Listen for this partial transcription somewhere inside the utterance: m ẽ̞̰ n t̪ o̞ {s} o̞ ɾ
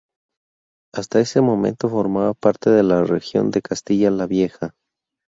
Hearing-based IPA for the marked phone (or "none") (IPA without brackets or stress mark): f